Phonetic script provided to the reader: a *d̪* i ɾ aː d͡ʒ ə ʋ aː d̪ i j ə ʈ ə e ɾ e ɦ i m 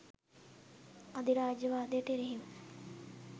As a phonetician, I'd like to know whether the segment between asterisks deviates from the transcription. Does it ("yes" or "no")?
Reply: no